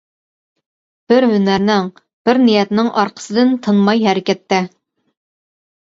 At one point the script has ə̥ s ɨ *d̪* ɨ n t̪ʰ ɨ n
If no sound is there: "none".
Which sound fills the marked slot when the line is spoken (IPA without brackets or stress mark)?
d̪